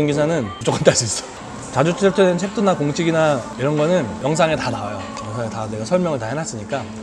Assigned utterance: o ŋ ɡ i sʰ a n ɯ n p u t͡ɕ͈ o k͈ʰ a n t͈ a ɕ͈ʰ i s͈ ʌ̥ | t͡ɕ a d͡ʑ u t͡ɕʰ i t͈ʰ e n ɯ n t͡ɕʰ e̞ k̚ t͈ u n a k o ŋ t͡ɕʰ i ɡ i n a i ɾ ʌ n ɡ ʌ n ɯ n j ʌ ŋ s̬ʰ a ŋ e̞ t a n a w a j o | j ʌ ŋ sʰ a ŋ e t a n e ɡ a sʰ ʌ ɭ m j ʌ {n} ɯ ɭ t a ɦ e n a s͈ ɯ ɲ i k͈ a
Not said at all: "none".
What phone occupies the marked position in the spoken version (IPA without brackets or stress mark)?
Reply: ŋ